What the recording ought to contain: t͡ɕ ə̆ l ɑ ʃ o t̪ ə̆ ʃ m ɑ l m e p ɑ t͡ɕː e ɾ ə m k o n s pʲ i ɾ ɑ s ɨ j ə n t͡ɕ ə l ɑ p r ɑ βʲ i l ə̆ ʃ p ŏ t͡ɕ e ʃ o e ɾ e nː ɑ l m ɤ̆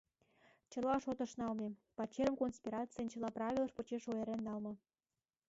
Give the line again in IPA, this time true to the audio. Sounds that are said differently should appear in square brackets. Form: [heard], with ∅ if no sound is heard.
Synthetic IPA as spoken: t͡ɕ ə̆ l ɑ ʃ o t̪ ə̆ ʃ [n] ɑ l m e p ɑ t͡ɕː e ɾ ə m k o n s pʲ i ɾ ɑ [t͡s] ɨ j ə n t͡ɕ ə l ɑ p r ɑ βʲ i l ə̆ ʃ p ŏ t͡ɕ e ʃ o e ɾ e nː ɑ l m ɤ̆